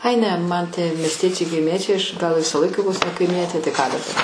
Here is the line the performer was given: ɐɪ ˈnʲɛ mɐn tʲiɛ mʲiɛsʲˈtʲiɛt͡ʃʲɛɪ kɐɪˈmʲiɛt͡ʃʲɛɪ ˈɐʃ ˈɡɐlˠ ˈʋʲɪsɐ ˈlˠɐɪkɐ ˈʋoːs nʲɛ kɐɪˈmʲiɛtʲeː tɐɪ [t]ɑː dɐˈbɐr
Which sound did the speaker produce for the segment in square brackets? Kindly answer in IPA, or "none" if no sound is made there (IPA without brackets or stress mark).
k